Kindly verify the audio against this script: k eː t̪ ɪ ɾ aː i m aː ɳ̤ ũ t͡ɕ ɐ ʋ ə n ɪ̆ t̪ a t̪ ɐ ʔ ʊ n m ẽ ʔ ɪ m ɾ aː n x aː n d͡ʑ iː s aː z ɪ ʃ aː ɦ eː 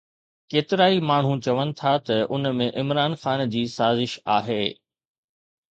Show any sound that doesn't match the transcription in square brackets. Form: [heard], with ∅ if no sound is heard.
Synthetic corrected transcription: k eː t̪ ɪ ɾ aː i m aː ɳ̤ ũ t͡ɕ ɐ ʋ ə n ɪ̆ [t̪ʰ] a t̪ ɐ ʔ ʊ n m ẽ ʔ ɪ m ɾ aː n x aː n d͡ʑ iː s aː z ɪ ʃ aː ɦ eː